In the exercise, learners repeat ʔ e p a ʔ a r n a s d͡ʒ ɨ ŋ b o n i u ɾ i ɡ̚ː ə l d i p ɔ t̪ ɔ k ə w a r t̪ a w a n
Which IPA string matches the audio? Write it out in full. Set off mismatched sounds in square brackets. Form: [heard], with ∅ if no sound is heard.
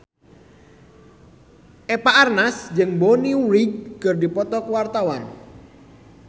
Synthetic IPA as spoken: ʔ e p a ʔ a r n a s d͡ʒ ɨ ŋ b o n i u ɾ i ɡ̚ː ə [r] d i p ɔ t̪ ɔ k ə w a r t̪ a w a n